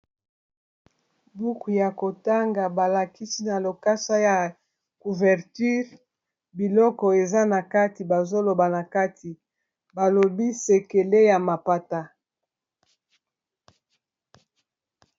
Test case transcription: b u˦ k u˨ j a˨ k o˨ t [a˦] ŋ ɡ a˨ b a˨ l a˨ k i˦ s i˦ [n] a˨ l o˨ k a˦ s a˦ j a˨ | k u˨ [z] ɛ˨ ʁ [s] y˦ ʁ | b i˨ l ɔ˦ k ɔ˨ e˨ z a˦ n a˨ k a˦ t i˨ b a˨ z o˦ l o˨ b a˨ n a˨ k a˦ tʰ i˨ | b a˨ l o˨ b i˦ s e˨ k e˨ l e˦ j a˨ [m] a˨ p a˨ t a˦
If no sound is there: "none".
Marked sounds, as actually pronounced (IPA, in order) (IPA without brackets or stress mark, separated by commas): a˦, n, v, t, m